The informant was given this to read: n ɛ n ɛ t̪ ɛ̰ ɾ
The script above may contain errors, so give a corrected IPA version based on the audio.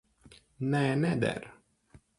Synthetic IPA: n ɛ n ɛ d̪ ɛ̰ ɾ